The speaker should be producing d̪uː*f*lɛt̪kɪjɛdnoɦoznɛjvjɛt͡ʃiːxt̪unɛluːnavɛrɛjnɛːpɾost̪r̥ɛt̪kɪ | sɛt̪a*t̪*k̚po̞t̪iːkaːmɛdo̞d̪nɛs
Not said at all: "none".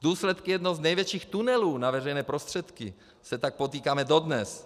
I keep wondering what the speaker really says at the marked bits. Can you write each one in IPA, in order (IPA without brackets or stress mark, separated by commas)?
s, none